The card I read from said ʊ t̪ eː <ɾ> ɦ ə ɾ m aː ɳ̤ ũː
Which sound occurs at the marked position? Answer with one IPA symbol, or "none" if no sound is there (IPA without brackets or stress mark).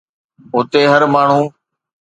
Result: none